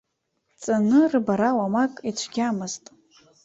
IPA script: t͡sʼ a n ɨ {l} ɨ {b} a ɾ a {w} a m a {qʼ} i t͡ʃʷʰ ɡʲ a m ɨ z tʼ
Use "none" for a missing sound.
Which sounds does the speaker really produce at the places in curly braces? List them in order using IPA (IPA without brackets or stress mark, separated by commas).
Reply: r, b, w, kʼ